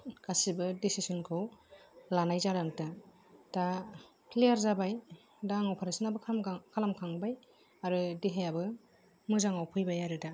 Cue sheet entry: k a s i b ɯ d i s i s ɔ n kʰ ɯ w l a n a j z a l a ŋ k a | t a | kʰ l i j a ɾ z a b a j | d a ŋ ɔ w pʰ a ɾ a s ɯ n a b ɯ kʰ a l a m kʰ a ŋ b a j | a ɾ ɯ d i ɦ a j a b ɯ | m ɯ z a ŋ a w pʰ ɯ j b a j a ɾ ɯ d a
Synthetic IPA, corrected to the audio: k a s i b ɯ d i s i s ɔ n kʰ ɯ w l a n a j z a ɾ a ŋ t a | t a | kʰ l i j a ɾ z a b a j | d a ŋ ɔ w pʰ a ɾ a s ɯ n a b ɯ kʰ a l a m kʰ a ŋ b a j | a ɾ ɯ d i ɦ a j a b ɯ | m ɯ z a ŋ a w pʰ ɯ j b a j a ɾ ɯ d a